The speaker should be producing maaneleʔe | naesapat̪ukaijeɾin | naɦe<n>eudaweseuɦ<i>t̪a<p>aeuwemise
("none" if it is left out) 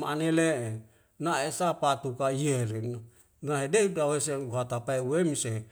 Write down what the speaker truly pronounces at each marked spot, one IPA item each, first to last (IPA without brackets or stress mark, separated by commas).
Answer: d, a, p